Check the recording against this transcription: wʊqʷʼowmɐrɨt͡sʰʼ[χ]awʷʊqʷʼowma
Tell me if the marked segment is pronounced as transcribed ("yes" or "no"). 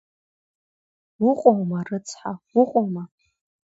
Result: no